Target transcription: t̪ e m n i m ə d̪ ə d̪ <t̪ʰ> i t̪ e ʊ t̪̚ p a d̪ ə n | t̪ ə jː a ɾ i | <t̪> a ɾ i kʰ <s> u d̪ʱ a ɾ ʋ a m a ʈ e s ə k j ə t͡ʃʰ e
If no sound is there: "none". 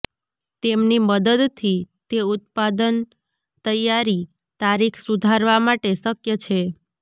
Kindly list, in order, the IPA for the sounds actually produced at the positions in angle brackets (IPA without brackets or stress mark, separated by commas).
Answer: t̪ʰ, t̪, s